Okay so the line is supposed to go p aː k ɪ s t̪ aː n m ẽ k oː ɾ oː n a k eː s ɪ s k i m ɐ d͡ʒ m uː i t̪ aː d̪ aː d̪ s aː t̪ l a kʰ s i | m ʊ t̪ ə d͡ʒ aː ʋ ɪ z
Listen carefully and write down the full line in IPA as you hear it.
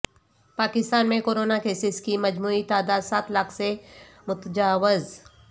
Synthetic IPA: p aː k ɪ s t̪ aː n m ẽ k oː ɾ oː n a k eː s ɪ s k i m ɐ d͡ʒ m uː i t̪ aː d̪ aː d̪ s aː t̪ l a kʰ s e | m ʊ t̪ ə d͡ʒ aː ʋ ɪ z